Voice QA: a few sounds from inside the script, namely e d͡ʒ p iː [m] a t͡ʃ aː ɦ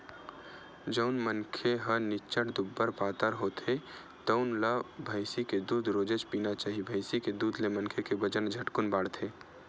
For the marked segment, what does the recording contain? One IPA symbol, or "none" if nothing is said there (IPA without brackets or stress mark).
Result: n